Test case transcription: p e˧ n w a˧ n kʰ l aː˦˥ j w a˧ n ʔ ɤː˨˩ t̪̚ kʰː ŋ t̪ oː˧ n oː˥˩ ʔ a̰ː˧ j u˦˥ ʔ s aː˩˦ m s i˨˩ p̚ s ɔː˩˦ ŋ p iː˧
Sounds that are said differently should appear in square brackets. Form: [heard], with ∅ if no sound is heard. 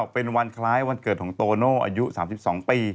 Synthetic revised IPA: p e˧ n w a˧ n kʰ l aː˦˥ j w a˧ n [k] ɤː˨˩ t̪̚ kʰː ŋ t̪ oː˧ n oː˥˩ ʔ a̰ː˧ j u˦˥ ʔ s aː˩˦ m s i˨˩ p̚ s ɔː˩˦ ŋ p iː˧

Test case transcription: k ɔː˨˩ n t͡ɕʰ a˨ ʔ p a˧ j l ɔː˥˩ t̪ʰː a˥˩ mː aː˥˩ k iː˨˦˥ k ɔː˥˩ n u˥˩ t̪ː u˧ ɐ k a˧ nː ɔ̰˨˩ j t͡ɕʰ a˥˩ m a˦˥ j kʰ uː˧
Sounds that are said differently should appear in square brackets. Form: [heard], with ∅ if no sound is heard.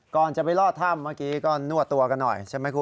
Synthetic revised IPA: k ɔː˨˩ n [t͡ɕ] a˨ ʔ p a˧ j l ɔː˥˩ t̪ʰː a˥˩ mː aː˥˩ k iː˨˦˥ k ɔː˥˩ n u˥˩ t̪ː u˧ ɐ k a˧ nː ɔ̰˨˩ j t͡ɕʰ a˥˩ m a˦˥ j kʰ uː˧

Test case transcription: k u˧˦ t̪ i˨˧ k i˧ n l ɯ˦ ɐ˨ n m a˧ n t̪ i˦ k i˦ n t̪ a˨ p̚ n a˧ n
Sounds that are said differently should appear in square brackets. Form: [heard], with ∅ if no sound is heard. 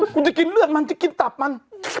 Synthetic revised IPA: k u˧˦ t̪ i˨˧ k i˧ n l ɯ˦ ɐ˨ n m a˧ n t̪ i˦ k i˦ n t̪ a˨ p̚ [m] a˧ n

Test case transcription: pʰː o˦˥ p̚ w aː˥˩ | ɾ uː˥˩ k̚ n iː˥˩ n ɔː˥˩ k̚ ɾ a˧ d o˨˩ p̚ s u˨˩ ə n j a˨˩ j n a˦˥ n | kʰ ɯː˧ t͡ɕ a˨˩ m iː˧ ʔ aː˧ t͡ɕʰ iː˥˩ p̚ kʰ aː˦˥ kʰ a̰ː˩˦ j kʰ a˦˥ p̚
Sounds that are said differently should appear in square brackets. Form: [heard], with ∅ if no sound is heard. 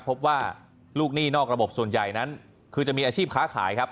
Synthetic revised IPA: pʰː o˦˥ p̚ w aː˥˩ | [l] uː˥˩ k̚ n iː˥˩ n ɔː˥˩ k̚ ɾ a˧ [b] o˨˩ p̚ s u˨˩ ə n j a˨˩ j n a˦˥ n | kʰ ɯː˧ t͡ɕ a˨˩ m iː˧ ʔ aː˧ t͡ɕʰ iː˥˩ p̚ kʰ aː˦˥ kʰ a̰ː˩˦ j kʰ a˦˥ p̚

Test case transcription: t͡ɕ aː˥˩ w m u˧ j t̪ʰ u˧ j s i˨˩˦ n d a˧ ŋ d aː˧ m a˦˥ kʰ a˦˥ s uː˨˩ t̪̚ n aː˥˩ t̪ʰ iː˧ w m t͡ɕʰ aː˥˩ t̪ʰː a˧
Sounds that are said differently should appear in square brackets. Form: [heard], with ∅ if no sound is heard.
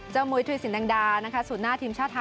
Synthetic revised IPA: t͡ɕ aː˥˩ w m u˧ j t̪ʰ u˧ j s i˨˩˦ n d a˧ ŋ d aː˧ [n] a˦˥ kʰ a˦˥ s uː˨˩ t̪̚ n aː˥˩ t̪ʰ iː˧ [∅] m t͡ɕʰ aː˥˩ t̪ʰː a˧

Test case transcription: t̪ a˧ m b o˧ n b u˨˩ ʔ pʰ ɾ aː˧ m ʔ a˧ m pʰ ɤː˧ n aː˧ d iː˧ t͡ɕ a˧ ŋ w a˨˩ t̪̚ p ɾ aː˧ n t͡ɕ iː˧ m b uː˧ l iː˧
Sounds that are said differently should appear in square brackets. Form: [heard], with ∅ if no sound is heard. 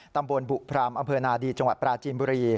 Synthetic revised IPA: t̪ a˧ m b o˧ n b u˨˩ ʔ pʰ ɾ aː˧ m ʔ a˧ m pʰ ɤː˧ n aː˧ d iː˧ t͡ɕ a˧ ŋ w a˨˩ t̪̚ p ɾ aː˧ [∅] t͡ɕ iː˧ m b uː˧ [ɾ] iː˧

